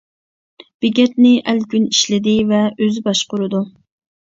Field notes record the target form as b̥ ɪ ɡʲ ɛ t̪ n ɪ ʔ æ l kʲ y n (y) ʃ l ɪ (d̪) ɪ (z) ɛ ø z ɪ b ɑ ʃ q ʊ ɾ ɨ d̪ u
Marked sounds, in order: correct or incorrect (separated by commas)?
incorrect, correct, incorrect